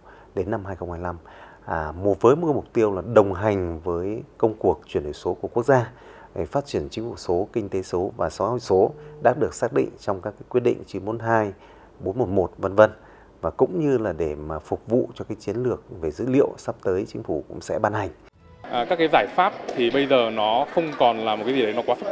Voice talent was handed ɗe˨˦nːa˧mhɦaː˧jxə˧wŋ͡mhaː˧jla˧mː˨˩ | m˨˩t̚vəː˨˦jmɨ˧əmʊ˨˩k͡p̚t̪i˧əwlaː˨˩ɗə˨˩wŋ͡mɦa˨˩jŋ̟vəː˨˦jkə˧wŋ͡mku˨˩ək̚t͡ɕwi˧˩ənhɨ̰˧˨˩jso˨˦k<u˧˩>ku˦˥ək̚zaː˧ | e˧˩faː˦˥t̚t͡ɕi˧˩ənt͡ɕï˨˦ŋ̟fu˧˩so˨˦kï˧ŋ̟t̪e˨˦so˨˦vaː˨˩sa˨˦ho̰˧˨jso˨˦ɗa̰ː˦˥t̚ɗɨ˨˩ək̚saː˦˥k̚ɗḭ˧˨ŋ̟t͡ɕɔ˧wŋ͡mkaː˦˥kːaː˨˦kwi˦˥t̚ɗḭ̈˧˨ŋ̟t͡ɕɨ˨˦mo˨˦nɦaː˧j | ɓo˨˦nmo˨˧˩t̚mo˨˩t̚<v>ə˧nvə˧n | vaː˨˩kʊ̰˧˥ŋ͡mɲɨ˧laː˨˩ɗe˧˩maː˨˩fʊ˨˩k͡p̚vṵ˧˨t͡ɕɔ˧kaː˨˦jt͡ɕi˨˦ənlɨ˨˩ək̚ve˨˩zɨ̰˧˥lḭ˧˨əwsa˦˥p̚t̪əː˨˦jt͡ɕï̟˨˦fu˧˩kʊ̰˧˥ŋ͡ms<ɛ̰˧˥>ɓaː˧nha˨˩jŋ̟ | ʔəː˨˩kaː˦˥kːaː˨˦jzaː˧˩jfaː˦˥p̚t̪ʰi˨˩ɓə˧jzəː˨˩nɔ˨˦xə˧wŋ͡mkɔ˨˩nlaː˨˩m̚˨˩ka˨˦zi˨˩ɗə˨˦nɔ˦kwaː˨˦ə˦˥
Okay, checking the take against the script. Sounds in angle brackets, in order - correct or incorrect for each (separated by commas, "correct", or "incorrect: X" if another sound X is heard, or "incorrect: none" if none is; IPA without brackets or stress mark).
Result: correct, correct, correct